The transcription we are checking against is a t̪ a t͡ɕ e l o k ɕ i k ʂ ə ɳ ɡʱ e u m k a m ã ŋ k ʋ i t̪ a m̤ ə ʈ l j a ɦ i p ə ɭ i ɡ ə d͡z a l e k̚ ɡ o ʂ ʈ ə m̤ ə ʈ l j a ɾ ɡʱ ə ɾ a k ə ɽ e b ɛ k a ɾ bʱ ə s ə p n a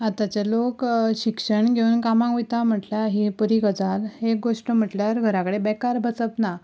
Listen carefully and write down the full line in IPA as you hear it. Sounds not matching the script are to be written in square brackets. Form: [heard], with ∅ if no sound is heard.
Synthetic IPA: a t̪ a t͡ɕ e l o k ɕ i k ʂ ə ɳ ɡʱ e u [n] k a m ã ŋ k ʋ i t̪ a m̤ ə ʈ l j a ɦ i p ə [ɾ] i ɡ ə d͡z a l e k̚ ɡ o ʂ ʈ ə m̤ ə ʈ l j a ɾ ɡʱ ə ɾ a k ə ɽ e b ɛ k a ɾ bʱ ə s ə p n a

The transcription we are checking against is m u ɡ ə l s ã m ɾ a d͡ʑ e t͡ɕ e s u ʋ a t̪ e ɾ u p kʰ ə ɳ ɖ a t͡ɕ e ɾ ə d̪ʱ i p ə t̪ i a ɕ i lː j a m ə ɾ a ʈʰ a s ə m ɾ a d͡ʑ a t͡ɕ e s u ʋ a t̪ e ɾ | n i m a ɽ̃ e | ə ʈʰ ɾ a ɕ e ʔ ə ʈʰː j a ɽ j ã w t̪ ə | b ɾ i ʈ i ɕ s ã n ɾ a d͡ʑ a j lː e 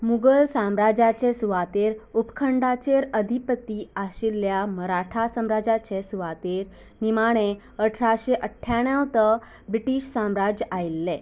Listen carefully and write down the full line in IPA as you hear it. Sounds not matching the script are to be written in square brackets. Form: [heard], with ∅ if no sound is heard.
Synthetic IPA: m u ɡ ə l s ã m ɾ a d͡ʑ [a] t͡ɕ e s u ʋ a t̪ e ɾ u p kʰ ə ɳ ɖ a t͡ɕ e ɾ ə d̪ʱ i p ə t̪ i a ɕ i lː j a m ə ɾ a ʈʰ a s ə m ɾ a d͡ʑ a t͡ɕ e s u ʋ a t̪ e ɾ | n i m a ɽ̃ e | ə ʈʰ ɾ a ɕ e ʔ ə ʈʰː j a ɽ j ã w t̪ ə | b ɾ i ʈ i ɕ s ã [m] ɾ a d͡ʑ a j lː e

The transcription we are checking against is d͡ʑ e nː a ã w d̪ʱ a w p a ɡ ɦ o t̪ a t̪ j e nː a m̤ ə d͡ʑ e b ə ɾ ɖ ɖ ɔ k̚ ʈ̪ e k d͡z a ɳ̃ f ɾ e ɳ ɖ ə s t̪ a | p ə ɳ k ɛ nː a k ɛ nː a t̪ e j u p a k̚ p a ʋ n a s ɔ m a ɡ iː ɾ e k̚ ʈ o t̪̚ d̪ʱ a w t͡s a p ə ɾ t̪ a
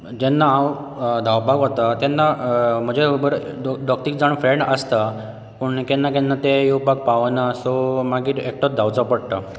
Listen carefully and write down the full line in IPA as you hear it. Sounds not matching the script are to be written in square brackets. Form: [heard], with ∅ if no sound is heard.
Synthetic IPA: d͡ʑ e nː a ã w d̪ʱ a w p a ɡ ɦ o t̪ a t̪ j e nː a m̤ ə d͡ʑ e b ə ɾ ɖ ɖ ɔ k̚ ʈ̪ [i] k d͡z a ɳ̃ f ɾ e ɳ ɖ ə s t̪ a | p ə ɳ k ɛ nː a k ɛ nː a t̪ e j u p a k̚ p a ʋ n a s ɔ m a ɡ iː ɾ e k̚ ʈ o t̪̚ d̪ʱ a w t͡s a p ə [ɽ] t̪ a

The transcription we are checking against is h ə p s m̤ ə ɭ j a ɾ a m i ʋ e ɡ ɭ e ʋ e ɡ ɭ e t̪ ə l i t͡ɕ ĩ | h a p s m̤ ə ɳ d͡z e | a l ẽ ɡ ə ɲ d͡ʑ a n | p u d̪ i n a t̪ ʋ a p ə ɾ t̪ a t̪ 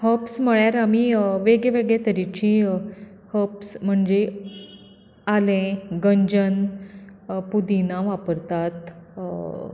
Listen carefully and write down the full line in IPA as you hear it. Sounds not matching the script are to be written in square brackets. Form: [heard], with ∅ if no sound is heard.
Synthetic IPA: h ə p s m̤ ə ɭ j a ɾ a m i ʋ e ɡ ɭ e ʋ e ɡ ɭ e t̪ ə [ɾ] i t͡ɕ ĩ | h [ə] p s m̤ ə ɳ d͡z e | a l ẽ ɡ ə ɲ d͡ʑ [ə] n | p u d̪ i n a [∅] ʋ a p ə ɾ t̪ a t̪

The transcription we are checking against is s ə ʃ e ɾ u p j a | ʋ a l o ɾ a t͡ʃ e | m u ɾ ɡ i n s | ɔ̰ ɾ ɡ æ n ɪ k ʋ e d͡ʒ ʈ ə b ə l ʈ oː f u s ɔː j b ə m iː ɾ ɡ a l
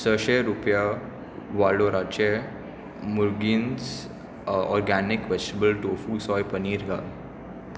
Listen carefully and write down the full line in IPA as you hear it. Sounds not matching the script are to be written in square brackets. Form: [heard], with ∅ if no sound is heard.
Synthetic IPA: s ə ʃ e ɾ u p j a | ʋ a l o ɾ a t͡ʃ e | m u ɾ ɡ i n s | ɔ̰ ɾ ɡ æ n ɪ k ʋ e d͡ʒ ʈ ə b ə l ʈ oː f u s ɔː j [p] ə [n] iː ɾ ɡ a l

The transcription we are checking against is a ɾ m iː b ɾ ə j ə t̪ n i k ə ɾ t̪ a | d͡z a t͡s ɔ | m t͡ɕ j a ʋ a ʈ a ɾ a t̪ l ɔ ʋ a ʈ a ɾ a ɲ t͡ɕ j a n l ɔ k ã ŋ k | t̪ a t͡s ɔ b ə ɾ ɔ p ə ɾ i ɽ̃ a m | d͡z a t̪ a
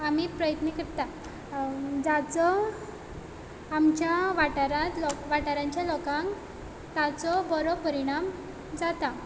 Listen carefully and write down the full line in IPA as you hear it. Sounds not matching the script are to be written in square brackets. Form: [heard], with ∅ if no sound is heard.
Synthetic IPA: a [∅] m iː [p] ɾ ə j ə t̪ n i k ə ɾ t̪ a | d͡z a t͡s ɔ | m t͡ɕ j a ʋ a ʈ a ɾ a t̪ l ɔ ʋ a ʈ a ɾ a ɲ t͡ɕ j a [∅] l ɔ k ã ŋ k | t̪ a t͡s ɔ b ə ɾ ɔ p ə ɾ i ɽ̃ a m | d͡z a t̪ a

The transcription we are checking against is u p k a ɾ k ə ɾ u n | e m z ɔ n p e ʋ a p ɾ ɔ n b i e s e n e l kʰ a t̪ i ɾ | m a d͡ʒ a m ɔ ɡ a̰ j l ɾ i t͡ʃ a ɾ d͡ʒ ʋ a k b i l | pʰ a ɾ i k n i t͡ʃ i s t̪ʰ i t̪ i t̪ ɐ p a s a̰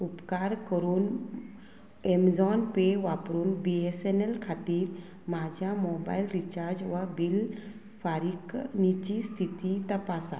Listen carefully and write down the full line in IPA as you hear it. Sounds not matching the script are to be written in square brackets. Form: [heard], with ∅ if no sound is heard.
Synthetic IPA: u p k a ɾ k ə ɾ u n | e m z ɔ n p e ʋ a p ɾ [u] n b i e s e n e l kʰ a t̪ i ɾ | m a d͡ʒ a m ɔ [b] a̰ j l ɾ i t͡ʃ a ɾ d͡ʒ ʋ a [∅] b i l | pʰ a ɾ i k n i t͡ʃ i s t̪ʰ i t̪ i t̪ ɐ p a s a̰

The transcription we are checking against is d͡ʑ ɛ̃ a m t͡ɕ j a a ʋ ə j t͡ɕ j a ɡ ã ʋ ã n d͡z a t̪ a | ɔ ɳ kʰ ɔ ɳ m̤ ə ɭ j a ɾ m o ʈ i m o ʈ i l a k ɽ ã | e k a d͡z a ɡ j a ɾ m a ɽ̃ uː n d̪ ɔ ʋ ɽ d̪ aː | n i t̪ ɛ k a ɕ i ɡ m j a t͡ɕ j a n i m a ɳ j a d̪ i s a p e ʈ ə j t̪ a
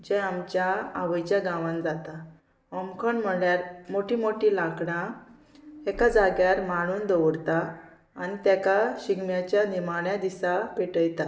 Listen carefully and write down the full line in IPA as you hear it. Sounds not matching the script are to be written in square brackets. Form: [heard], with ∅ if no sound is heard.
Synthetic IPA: d͡ʑ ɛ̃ a m t͡ɕ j a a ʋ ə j t͡ɕ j a ɡ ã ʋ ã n d͡z a t̪ a | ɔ [m] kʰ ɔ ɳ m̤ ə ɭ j a ɾ m o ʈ i m o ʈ i l a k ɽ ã | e k a d͡z a ɡ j a ɾ m a ɽ̃ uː n d̪ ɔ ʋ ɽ [t̪] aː | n i t̪ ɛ k a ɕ i ɡ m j a t͡ɕ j a n i m a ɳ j a d̪ i s a p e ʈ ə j t̪ a

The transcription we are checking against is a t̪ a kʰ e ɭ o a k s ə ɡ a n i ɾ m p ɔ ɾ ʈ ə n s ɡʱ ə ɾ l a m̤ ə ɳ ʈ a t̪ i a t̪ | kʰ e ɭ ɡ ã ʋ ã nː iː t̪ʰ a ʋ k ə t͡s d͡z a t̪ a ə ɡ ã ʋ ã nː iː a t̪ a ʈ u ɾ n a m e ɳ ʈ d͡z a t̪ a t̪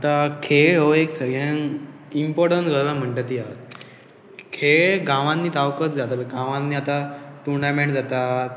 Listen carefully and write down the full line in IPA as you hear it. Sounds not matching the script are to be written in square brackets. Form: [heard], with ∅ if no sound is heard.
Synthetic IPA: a t̪ a kʰ e ɭ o [e] k s ə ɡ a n i [∅] m p ɔ ɾ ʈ ə n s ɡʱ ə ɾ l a m̤ ə ɳ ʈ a t̪ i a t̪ | kʰ e ɭ ɡ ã ʋ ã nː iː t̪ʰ a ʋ k ə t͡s d͡z a t̪ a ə ɡ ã ʋ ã nː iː a t̪ a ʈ u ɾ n a m e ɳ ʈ d͡z a t̪ a t̪

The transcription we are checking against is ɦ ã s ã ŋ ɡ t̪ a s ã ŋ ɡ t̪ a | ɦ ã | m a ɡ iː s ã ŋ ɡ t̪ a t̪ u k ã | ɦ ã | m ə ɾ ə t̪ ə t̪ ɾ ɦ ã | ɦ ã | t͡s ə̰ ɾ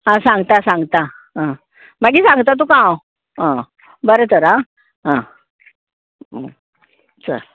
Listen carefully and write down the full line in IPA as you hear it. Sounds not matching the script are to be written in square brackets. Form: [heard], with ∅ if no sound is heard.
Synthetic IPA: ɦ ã s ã ŋ ɡ t̪ a s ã ŋ ɡ t̪ a | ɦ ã | m a ɡ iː s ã ŋ ɡ t̪ a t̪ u k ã | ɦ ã | [b] ə ɾ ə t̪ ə [∅] ɾ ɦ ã | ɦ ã | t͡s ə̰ ɾ

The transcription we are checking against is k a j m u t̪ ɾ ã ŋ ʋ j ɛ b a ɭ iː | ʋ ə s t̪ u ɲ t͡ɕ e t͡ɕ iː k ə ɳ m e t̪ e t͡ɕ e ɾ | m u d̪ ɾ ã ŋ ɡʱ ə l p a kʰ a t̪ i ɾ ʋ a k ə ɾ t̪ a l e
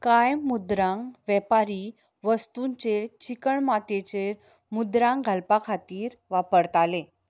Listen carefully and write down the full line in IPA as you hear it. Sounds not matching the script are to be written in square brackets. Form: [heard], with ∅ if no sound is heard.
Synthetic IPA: k a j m u [d̪] ɾ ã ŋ ʋ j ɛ [p] a [ɾ] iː | ʋ ə s t̪ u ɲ t͡ɕ e t͡ɕ [i] k ə ɳ m [a] t̪ e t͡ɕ e ɾ | m u d̪ ɾ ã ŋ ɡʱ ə l p a kʰ a t̪ [iː] ɾ ʋ a [p] ə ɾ t̪ a l e

